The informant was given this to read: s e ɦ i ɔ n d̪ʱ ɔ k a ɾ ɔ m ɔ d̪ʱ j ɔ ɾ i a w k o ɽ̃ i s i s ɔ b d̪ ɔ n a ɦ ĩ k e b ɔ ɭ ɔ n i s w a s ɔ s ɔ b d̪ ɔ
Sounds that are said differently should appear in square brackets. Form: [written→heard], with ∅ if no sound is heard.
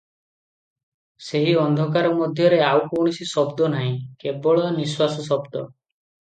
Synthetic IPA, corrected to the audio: s e ɦ i ɔ n d̪ʱ ɔ k a ɾ ɔ m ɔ d̪ʱ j ɔ ɾ [i→e] a w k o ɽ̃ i s i s ɔ b d̪ ɔ n a ɦ ĩ k e b ɔ ɭ ɔ n i s w a s ɔ s ɔ b d̪ ɔ